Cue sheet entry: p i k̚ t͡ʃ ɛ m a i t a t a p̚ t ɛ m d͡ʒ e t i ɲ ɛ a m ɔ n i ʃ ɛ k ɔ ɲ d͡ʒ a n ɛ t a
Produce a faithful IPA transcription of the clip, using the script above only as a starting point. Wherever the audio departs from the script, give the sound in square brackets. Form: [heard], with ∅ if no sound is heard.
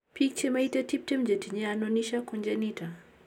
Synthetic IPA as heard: p i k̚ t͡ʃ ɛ m a i t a t [i] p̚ t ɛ m d͡ʒ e t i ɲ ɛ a [n] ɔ n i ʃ [a] k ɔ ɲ d͡ʒ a n [i] t a

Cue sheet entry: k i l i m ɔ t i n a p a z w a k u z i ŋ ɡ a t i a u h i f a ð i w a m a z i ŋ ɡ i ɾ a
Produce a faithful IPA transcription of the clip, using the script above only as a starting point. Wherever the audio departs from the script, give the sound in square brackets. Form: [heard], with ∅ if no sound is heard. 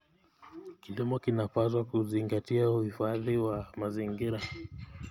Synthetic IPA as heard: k i l i m ɔ [k] i n a p a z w a k u z i ŋ ɡ a t i a u h i f a ð i w a m a z i ŋ ɡ i ɾ a

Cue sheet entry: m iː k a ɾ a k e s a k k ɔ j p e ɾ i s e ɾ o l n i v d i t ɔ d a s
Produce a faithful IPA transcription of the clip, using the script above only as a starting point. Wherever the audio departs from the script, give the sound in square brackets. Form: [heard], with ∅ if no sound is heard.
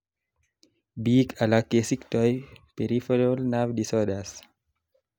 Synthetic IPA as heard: [b] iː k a [l] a k e s [i] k [t] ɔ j p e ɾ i [f] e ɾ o l n [a] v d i [s] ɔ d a s

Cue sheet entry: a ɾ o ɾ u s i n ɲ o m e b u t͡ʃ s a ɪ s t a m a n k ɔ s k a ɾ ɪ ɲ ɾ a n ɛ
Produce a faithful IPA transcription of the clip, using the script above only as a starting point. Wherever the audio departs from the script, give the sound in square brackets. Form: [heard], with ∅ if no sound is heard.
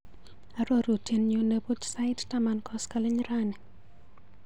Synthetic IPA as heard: a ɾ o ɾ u [t] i n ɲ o [n] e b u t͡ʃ s a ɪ [t] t a m a n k ɔ s k a [l] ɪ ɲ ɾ a n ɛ

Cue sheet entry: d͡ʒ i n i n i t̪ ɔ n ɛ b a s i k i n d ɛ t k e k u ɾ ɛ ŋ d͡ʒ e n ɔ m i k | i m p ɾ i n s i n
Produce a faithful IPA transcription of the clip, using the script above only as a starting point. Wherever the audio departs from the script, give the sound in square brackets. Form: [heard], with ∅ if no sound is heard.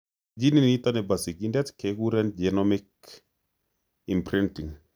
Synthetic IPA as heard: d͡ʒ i n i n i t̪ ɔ n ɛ b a s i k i n d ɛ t k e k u ɾ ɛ [n] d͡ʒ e n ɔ m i k | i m p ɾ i n [t] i [ŋ]

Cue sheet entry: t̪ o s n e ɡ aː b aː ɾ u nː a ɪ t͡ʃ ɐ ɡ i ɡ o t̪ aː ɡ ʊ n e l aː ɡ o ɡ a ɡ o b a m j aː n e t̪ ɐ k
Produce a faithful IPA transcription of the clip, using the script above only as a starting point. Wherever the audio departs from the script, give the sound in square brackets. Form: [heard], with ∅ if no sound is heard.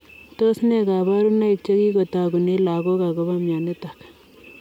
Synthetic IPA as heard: t̪ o s n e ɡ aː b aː ɾ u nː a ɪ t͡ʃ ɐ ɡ i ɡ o t̪ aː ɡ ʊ n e l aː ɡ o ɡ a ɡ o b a m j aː n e t̪ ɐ k

